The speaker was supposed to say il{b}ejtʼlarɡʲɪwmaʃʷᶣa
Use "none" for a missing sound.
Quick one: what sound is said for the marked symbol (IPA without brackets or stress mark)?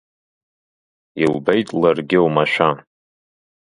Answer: b